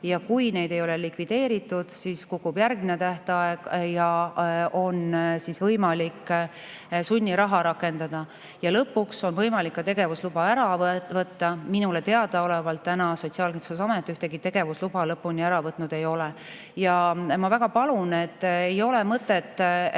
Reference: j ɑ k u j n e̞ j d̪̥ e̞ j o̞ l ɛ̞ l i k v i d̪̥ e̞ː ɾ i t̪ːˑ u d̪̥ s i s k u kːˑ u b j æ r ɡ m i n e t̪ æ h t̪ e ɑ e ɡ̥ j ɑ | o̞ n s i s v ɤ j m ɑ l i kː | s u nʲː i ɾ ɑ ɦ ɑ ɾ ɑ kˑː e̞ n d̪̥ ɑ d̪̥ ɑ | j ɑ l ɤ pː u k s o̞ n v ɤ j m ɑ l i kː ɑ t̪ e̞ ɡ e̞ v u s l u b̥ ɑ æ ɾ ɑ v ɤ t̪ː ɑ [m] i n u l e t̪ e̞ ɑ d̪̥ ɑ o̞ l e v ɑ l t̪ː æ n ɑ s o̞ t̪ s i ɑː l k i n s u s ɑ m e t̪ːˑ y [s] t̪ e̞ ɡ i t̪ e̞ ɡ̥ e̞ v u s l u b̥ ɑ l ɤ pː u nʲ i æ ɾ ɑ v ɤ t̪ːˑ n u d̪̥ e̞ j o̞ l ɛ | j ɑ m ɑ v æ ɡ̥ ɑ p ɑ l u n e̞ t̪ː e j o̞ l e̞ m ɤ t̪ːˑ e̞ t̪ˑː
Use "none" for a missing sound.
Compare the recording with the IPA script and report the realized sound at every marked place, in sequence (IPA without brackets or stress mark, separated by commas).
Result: m, h